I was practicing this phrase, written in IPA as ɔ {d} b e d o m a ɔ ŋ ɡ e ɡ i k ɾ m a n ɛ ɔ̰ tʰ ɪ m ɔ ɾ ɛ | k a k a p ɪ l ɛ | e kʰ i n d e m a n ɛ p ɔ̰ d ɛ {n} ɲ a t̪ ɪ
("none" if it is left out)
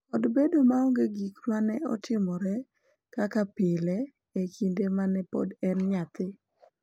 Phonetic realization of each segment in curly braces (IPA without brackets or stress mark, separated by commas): d, n